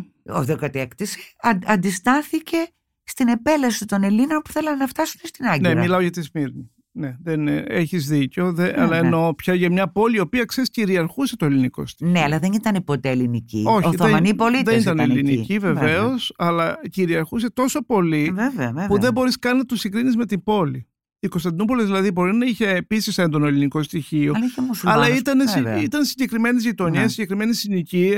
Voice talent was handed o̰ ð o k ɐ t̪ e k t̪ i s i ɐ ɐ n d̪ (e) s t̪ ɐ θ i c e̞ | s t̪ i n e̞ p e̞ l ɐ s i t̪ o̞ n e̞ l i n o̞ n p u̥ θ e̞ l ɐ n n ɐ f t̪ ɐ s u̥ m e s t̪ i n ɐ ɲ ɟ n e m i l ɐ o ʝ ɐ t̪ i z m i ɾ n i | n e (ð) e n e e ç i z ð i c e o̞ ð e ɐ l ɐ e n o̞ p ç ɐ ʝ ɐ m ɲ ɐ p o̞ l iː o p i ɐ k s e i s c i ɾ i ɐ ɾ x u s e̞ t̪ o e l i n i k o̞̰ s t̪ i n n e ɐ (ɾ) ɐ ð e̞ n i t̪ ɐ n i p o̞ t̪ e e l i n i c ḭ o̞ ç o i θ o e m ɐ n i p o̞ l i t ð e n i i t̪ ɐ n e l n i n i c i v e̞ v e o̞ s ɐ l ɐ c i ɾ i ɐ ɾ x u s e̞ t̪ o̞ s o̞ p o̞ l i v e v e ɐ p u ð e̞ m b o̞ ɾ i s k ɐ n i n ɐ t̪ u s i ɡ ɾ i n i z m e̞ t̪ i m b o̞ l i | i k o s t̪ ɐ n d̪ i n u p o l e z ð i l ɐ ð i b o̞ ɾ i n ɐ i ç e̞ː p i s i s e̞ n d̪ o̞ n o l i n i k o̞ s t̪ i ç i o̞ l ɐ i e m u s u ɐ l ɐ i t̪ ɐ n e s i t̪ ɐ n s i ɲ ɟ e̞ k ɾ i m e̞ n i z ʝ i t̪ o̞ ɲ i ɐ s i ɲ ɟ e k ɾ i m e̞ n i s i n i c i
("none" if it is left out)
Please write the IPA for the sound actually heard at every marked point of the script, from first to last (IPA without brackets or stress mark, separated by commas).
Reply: i, ð, l